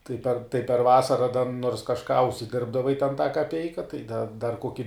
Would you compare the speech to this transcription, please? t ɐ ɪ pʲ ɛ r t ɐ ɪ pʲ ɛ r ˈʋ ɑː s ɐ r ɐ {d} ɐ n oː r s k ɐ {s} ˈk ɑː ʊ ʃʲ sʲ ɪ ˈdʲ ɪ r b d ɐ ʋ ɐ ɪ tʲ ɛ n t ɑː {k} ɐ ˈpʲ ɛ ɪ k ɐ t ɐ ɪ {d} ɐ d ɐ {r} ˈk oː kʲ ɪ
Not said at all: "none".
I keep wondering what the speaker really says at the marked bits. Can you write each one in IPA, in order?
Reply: d, ʃ, k, d, r

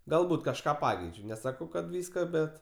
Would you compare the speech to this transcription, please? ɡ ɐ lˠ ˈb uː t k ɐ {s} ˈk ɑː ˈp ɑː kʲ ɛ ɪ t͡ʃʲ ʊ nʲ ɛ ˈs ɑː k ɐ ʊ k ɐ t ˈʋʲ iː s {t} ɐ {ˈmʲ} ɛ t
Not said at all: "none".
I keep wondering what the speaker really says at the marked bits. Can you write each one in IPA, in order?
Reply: ʃ, k, bʲ

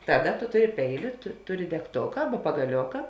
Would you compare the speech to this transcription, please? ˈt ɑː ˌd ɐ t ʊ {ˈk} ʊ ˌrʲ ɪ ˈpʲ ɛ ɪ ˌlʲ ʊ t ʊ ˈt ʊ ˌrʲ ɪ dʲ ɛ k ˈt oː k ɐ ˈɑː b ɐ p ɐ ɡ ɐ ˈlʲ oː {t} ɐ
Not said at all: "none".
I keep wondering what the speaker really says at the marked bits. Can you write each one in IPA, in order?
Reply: t, k

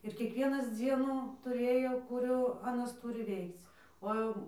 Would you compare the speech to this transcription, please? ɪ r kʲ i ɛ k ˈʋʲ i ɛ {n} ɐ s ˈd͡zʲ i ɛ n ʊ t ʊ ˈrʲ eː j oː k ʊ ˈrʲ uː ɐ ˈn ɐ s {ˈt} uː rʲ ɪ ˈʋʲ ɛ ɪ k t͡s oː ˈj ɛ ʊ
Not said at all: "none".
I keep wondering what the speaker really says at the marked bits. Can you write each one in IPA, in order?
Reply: n, t

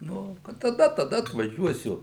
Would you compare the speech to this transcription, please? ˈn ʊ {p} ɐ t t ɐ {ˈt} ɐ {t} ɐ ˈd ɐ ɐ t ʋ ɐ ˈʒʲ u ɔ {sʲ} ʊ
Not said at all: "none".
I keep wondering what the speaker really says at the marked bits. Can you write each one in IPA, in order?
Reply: k, d, t, sʲ

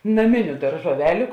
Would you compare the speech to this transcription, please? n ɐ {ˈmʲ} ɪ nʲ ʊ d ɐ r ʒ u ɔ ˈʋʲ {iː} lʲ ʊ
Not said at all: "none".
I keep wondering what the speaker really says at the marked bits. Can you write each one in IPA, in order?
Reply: mʲ, æː

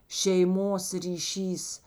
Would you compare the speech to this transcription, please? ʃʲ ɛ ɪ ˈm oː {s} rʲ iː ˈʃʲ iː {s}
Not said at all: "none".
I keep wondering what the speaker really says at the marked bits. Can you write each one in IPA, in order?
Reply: s, s

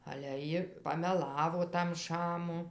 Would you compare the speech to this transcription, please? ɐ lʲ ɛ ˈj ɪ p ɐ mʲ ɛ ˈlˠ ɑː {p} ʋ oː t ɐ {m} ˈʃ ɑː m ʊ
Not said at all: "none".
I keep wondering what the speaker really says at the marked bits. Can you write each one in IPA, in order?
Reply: none, m

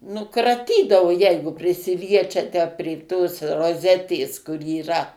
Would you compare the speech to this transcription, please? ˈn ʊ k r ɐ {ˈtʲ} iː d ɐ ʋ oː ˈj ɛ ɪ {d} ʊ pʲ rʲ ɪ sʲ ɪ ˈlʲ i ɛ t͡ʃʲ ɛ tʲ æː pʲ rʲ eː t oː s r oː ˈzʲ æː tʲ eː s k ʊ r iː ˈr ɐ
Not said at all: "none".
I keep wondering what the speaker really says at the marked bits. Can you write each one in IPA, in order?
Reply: tʲ, ɡ

